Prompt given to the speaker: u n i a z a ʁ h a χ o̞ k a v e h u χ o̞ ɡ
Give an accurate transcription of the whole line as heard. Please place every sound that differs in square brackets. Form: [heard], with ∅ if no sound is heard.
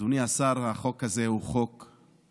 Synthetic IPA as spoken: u n i a [s] a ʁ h a χ o̞ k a [z] e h u χ o̞ [k]